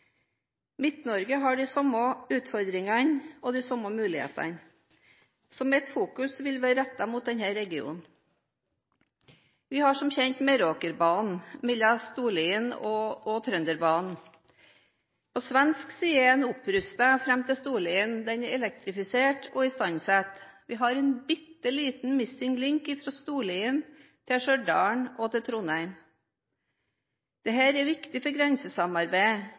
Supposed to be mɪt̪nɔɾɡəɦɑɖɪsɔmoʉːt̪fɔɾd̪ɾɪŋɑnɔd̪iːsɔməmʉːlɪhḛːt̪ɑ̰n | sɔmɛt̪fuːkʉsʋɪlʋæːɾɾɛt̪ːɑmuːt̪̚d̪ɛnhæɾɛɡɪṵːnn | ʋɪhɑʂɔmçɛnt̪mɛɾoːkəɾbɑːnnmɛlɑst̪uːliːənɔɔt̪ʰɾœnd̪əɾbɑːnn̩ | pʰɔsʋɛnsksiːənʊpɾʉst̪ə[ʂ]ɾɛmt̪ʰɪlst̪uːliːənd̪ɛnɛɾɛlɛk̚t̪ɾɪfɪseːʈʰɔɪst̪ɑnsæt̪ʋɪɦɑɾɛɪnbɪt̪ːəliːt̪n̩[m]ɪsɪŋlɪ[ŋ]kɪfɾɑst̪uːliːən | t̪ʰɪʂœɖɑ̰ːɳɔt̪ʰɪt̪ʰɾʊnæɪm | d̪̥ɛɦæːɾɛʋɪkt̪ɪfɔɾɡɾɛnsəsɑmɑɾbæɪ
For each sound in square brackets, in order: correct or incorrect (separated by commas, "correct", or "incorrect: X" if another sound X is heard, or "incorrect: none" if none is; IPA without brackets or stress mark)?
incorrect: f, correct, correct